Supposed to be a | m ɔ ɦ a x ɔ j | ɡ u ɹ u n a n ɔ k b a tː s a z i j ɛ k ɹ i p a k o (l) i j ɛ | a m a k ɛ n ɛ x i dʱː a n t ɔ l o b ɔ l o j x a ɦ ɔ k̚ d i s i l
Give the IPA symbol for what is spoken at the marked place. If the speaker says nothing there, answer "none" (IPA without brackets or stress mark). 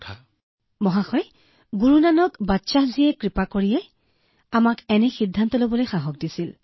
ɹ